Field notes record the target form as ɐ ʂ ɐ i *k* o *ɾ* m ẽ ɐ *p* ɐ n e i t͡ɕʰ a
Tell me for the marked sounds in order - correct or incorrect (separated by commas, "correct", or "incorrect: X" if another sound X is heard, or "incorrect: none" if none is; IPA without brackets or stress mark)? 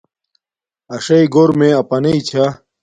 incorrect: ɡ, correct, correct